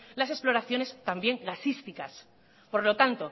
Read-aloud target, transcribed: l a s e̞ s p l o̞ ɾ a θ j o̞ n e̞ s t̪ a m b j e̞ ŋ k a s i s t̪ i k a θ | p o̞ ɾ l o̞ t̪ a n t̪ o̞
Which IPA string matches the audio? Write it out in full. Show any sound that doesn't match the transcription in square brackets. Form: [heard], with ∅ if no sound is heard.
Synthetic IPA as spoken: l a s e̞ s p l o̞ ɾ a θ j o̞ n e̞ s t̪ a m b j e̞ ŋ [ɡ] a s i s t̪ i k a [s] | p o̞ ɾ l o̞ t̪ a n t̪ o̞